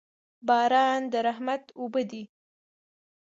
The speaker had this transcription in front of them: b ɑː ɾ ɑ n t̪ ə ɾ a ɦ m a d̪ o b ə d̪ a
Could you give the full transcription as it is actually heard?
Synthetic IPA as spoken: b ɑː ɾ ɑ n d̪ ə ɾ a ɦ m a t̪ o b ə d̪ i

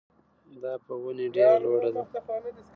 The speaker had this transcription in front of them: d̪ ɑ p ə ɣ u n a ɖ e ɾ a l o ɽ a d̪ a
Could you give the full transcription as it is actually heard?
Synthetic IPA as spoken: d̪ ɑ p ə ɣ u n e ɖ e ɾ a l o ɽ a d̪ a

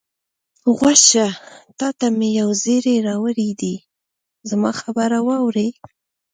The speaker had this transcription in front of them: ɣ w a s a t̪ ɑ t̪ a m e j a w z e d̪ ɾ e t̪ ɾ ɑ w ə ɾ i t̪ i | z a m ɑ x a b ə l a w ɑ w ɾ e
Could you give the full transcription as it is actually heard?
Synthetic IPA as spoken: ɣ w a ʃ a t̪ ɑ t̪ a m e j a w z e ɾ e ɾ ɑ w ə ɾ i d̪ i | z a m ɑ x a b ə ɾ a w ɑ w ɾ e

